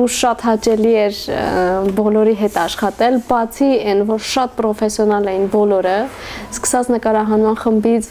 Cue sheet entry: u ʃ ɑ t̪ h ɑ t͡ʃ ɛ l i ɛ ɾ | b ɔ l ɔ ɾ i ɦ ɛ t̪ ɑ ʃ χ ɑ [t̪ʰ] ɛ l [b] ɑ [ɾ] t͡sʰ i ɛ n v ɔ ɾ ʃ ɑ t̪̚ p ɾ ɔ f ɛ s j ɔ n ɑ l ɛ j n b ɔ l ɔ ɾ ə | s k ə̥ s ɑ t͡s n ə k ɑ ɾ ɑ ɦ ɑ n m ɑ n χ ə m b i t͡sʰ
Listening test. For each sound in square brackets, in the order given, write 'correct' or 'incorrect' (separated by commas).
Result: incorrect, correct, incorrect